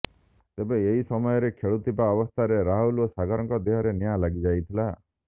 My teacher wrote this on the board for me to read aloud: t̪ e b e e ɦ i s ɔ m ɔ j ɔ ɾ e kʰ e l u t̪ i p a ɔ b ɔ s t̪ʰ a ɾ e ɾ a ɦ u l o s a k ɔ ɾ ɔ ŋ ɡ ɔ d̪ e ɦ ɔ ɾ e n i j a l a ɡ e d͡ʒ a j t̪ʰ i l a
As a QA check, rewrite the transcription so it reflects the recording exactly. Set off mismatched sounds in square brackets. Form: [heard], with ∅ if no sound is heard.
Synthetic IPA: t̪ e b e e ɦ i s ɔ m ɔ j ɔ ɾ e kʰ e [ɭ] u t̪ i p a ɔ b ɔ s t̪ʰ a ɾ e ɾ a ɦ u l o s a [ɡ] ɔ ɾ ɔ ŋ [k] ɔ d̪ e ɦ ɔ ɾ e n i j a l a ɡ [i] d͡ʒ a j t̪ʰ i l a

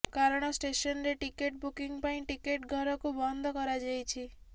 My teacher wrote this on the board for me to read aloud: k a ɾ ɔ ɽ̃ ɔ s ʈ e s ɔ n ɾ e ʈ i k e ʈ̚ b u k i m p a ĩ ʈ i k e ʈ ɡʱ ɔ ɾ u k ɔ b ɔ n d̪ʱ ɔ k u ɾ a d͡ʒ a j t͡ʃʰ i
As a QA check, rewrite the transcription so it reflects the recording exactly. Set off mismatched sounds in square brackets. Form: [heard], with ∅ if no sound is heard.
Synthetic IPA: k a ɾ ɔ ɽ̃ ɔ s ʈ e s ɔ n ɾ e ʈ i k e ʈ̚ b u k i [ŋ] p a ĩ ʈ i k e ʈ ɡʱ ɔ ɾ [ɔ] k [u] b ɔ n d̪ʱ ɔ k [ɔ] ɾ a d͡ʒ a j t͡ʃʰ i

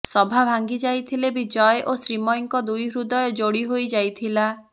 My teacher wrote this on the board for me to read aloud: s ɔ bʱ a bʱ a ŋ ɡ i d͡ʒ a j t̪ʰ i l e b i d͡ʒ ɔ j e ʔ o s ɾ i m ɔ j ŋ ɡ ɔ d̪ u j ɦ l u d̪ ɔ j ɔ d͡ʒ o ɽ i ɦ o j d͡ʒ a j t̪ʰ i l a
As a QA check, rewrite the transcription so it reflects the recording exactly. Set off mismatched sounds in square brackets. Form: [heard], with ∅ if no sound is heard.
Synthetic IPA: s ɔ bʱ a bʱ a ŋ ɡ i d͡ʒ a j t̪ʰ i l e b i d͡ʒ ɔ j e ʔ o s ɾ i m ɔ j ŋ [k] ɔ d̪ u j ɦ [ɾ] u d̪ ɔ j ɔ d͡ʒ o ɽ i ɦ o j d͡ʒ a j t̪ʰ i l a

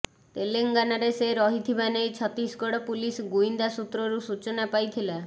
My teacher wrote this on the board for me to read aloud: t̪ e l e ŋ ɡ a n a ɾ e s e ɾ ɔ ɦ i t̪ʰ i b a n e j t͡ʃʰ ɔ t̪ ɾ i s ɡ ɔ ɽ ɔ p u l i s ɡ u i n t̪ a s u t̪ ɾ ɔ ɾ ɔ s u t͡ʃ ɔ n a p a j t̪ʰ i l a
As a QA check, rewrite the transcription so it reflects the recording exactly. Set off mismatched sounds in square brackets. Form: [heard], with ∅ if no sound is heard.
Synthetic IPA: t̪ e l e ŋ ɡ a n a ɾ e s e ɾ ɔ ɦ i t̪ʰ i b a n e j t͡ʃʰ ɔ t̪ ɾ i s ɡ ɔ ɽ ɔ p u l i s ɡ u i n [d̪] a s u t̪ ɾ ɔ ɾ [u] s u t͡ʃ ɔ n a p a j t̪ʰ i l a

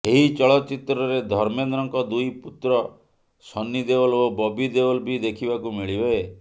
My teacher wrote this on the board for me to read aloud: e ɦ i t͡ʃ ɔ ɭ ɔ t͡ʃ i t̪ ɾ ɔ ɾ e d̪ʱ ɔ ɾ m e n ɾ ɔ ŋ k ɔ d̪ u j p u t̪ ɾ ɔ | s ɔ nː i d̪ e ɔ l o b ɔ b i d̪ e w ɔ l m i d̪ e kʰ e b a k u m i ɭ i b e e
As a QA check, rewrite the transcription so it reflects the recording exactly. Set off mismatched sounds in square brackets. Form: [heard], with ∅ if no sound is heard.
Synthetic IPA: e ɦ i t͡ʃ ɔ ɭ ɔ t͡ʃ i t̪ ɾ ɔ ɾ e d̪ʱ ɔ ɾ m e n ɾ ɔ ŋ k ɔ d̪ u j p u t̪ ɾ ɔ | s ɔ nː i d̪ e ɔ l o b ɔ b i d̪ e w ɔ l [b] i d̪ e kʰ [i] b a k u m i ɭ i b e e

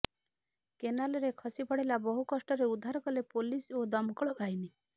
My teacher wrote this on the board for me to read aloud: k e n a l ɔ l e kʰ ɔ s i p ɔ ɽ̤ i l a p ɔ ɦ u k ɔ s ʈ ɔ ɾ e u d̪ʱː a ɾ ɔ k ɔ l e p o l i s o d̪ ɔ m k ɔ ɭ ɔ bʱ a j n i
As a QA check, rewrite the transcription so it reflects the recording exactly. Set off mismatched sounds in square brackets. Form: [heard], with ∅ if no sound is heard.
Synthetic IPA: k e n a l ɔ [ɾ] e kʰ ɔ s i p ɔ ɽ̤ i l a [b] ɔ ɦ u k ɔ s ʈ ɔ ɾ e u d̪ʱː a ɾ ɔ k ɔ l e p o l i s o d̪ ɔ m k ɔ ɭ ɔ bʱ a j n i

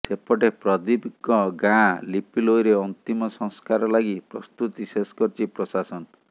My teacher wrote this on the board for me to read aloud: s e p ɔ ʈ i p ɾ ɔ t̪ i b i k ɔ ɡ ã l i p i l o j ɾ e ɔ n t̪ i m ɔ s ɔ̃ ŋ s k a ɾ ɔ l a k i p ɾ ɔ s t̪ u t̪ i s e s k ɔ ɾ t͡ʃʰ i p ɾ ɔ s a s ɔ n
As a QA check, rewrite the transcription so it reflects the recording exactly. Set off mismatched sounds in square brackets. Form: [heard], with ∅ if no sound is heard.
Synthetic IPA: s e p ɔ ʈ [e] p ɾ ɔ [d̪] i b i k ɔ ɡ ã l i p i l o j ɾ e ɔ n t̪ i m ɔ s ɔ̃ ŋ s k a ɾ ɔ l a [ɡ] i p ɾ ɔ s t̪ u t̪ i s e s k ɔ ɾ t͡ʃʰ i p ɾ ɔ s a s ɔ n

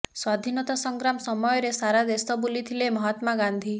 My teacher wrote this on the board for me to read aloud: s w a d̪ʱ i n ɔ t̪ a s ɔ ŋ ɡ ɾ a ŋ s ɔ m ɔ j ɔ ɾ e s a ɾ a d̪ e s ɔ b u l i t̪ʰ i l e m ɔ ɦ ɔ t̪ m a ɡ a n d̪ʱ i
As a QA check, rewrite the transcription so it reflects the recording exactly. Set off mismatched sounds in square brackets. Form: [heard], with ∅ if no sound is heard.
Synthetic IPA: s w a d̪ʱ i n ɔ t̪ a s ɔ ŋ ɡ ɾ a [m] s ɔ m ɔ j ɔ ɾ e s a ɾ a d̪ e s ɔ b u l i t̪ʰ i l e m ɔ ɦ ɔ t̪ m a ɡ a n d̪ʱ i

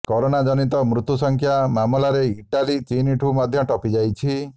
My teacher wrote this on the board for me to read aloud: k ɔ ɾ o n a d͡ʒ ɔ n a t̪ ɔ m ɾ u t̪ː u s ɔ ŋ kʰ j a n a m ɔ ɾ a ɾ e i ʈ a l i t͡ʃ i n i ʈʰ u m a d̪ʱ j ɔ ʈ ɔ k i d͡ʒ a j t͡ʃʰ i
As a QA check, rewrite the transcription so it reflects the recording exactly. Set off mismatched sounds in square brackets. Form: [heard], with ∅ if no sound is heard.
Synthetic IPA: k ɔ ɾ o n a d͡ʒ ɔ n [i] t̪ ɔ m ɾ u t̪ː u s ɔ ŋ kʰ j a [m] a m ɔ [l] a ɾ e i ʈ a l i t͡ʃ i n i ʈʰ u m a d̪ʱ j ɔ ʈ ɔ [p] i d͡ʒ a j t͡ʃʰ i

